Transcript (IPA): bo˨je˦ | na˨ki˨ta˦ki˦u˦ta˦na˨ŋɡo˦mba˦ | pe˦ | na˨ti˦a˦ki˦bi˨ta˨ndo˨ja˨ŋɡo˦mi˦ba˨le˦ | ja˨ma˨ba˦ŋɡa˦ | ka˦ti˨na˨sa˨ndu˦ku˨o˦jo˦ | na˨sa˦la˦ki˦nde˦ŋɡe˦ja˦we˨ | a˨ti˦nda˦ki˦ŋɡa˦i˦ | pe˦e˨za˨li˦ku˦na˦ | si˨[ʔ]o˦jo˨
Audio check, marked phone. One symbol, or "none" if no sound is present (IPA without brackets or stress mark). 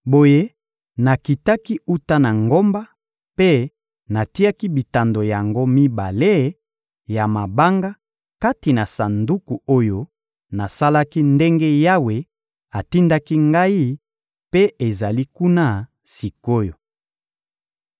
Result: k